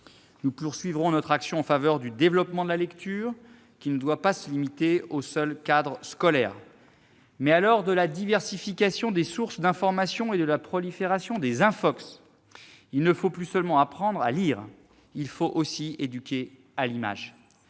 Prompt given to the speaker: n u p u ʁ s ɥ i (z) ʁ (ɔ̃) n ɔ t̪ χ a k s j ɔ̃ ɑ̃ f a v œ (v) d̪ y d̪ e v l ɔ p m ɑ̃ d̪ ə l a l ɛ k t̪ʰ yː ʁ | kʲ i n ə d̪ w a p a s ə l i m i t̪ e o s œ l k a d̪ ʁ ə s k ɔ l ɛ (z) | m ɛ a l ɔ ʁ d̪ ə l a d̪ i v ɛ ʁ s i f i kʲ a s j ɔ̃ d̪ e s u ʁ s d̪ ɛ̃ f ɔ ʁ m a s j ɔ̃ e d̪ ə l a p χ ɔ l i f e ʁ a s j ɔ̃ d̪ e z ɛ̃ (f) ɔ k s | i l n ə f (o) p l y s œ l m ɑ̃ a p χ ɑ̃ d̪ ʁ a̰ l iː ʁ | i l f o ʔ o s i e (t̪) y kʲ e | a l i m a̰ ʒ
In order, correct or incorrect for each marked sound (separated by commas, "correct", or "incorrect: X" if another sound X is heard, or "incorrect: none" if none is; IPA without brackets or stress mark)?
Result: incorrect: v, correct, incorrect: ʁ, incorrect: ʁ, correct, correct, incorrect: d̪